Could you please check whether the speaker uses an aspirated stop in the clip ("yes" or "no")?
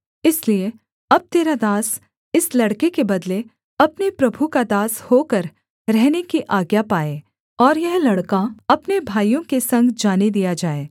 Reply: no